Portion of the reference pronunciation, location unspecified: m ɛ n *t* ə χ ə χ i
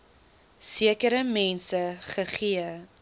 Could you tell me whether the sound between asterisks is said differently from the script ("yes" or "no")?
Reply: yes